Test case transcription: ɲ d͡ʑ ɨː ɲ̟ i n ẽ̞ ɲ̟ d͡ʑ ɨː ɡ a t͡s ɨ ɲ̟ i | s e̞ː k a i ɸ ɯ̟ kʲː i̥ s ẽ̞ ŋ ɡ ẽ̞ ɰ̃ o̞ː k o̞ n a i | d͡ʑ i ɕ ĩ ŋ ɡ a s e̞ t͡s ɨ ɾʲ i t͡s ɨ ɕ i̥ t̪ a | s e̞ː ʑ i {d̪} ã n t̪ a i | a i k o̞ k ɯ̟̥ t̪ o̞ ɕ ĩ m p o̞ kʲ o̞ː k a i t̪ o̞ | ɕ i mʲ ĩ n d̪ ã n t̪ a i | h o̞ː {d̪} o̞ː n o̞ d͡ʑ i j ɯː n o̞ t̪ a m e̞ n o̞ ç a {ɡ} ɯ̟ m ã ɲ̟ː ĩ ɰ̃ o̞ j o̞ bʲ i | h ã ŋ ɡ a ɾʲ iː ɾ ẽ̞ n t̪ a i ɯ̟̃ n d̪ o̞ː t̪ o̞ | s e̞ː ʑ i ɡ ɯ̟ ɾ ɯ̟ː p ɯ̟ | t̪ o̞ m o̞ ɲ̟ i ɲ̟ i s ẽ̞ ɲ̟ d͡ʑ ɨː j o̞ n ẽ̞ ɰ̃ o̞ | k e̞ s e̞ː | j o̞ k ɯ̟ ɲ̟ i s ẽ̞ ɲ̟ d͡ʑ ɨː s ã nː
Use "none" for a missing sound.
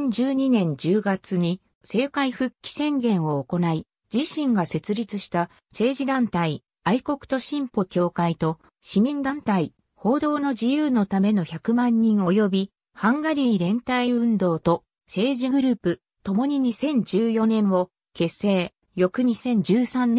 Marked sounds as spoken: d̪, d̪, k

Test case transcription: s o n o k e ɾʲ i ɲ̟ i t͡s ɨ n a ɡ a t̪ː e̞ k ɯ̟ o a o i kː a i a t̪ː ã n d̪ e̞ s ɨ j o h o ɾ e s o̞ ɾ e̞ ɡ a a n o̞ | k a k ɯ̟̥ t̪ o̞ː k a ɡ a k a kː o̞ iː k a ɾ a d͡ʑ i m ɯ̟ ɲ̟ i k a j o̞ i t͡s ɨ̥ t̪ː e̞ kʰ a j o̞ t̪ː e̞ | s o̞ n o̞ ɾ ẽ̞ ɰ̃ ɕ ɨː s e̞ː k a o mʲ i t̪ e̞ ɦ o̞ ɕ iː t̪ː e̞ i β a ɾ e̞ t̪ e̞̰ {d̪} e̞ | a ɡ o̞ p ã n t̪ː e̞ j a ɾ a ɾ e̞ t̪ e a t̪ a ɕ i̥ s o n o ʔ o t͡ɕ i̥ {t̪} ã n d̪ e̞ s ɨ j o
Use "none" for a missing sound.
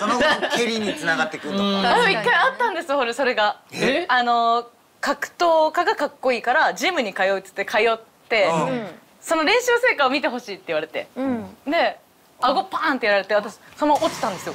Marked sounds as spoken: d̪, t̪

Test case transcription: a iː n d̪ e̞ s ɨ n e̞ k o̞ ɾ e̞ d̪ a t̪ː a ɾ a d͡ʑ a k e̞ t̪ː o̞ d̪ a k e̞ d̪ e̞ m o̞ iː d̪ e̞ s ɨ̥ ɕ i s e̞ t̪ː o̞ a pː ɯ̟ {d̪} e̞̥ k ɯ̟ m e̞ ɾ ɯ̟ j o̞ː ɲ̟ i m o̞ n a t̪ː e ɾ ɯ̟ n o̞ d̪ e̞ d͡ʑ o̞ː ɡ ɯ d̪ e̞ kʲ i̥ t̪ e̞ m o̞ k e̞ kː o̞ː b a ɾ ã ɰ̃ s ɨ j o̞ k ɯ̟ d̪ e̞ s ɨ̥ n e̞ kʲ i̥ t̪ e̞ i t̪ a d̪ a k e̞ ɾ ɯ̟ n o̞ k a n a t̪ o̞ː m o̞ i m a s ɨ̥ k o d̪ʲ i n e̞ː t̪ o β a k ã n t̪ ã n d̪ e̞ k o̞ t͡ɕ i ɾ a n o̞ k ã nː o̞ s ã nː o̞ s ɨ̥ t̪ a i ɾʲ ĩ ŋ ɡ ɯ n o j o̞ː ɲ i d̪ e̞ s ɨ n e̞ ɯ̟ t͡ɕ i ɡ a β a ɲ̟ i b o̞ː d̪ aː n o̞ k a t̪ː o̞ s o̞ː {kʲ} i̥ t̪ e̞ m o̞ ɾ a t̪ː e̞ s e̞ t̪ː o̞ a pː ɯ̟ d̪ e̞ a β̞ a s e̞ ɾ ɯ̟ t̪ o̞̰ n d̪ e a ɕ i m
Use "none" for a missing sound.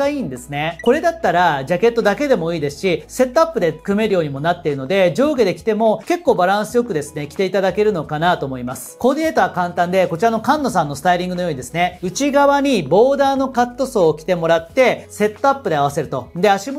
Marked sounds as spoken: d̪, kʲ

